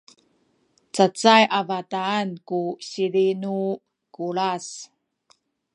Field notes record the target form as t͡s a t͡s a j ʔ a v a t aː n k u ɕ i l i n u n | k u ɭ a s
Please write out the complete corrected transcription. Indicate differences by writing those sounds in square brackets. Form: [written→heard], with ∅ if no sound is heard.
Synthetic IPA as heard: t͡s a t͡s a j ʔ a v a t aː n k u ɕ i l i n u [n→∅] | k u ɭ a s